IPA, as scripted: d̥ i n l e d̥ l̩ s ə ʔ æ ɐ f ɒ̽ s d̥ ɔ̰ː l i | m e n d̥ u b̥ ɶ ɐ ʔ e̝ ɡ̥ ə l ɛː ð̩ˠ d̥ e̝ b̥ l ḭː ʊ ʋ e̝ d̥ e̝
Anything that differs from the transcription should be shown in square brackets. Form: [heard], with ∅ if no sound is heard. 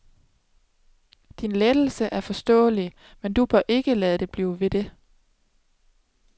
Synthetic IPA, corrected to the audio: d̥ i n l e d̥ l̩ s ə ʔ æ ɐ f ɒ̽ s d̥ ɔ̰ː l i | m e n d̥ u b̥ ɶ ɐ ʔ e̝ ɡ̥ ə l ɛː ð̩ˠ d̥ e̝ b̥ l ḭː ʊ ʋ e̝ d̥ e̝